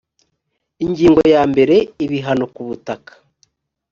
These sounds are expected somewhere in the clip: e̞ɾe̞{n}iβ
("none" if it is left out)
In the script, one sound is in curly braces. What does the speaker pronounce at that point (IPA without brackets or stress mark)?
none